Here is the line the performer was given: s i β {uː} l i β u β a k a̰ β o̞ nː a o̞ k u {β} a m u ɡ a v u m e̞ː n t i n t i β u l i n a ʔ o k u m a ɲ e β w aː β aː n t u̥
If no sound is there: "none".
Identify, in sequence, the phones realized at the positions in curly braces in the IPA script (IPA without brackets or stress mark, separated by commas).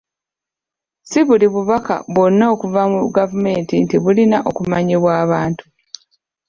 u, v